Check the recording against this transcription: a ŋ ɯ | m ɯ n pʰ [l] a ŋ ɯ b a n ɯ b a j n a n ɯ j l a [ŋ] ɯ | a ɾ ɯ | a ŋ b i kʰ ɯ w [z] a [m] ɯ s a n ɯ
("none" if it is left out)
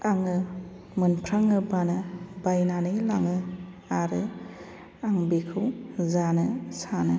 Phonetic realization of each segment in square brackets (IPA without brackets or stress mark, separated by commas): ɾ, ŋ, z, n